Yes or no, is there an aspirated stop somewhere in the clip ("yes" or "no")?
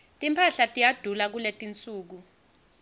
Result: yes